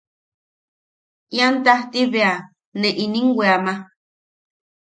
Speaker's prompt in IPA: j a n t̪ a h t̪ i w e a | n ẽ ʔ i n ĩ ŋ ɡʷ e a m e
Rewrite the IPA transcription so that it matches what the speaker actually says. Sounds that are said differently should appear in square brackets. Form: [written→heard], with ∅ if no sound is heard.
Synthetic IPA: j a n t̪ a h t̪ i [w→β] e a | n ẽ ʔ i n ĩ ŋ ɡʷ e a m [e→a]

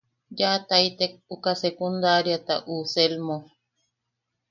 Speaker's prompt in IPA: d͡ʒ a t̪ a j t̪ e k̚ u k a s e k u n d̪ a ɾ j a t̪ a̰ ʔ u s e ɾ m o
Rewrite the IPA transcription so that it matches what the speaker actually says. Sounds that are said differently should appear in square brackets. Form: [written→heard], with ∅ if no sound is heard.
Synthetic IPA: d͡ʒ a t̪ a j t̪ e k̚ u k a s e k u n d̪ a ɾ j a t̪ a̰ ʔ u s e [ɾ→l] m o

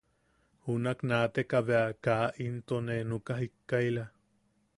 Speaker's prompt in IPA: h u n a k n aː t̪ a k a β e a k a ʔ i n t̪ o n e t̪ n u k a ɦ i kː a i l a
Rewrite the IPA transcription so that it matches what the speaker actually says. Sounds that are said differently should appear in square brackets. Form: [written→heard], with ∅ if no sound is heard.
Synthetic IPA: h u n a k n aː t̪ [a→e] k a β e a k a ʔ i n t̪ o n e [t̪→∅] n u k a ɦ i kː a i l a

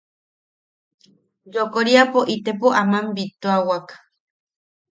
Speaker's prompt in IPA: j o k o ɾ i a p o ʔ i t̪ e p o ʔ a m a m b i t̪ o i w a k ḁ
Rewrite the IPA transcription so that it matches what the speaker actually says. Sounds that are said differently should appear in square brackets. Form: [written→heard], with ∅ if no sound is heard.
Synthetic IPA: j o k o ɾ i a p o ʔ i t̪ e p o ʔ a m a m b i t̪ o [i→a] w a k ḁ

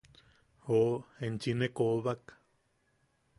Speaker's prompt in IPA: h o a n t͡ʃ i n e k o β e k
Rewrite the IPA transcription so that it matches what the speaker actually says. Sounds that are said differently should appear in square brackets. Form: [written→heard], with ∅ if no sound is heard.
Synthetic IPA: h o [a→e] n t͡ʃ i n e k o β [e→a] k

